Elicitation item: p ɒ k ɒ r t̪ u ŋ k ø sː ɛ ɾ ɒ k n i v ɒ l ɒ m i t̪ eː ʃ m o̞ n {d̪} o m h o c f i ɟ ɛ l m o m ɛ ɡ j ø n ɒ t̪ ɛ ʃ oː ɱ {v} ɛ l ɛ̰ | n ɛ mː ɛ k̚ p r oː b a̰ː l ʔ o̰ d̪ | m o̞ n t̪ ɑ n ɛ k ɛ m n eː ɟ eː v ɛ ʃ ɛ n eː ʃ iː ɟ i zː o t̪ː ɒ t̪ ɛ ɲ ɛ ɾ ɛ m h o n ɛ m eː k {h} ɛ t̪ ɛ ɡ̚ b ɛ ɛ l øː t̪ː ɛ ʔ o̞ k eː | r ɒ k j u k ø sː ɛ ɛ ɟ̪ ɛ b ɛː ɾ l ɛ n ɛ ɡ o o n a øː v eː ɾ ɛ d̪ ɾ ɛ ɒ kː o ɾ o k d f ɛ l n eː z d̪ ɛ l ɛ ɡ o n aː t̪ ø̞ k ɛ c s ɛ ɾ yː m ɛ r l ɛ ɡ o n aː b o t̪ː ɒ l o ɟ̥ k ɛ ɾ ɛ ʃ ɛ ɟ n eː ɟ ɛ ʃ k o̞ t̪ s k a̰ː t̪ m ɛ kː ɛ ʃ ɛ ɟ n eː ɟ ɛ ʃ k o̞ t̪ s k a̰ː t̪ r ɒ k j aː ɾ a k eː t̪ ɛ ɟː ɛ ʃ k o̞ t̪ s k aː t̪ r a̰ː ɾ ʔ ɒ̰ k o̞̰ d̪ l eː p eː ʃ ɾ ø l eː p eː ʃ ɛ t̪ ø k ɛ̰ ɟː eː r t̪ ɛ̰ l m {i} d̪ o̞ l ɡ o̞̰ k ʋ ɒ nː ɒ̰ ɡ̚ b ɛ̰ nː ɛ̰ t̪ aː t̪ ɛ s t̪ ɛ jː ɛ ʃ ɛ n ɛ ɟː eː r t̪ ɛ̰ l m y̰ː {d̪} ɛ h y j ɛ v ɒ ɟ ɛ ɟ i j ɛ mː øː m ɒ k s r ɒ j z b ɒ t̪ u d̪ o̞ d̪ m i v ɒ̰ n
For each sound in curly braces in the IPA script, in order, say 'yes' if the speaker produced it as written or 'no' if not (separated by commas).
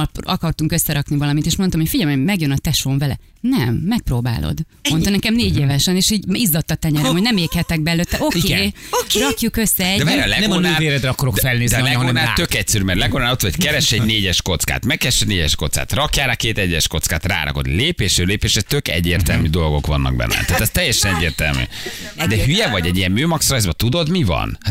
no, yes, yes, no, yes